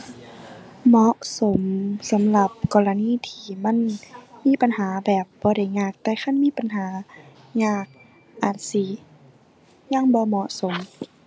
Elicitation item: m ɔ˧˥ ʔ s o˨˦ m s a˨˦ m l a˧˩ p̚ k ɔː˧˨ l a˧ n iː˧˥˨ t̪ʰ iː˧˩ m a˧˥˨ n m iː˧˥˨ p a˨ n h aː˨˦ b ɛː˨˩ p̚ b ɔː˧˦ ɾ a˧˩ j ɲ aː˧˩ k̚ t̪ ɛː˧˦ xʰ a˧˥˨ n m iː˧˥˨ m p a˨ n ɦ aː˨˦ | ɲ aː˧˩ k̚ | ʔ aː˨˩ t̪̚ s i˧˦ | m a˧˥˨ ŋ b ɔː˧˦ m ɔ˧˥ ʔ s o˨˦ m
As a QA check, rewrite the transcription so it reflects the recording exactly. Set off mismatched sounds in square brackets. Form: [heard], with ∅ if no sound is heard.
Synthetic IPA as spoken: m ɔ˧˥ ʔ s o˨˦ m s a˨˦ m l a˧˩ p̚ k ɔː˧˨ l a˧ n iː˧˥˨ t̪ʰ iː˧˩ m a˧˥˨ n m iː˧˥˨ p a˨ n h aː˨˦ b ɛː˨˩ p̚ b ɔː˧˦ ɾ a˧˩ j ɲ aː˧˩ k̚ t̪ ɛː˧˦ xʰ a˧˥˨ n m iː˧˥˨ [∅] p a˨ n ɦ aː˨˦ | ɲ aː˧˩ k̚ | ʔ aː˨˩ t̪̚ s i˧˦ | [ɲ] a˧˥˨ ŋ b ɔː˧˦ m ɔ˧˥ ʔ s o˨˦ m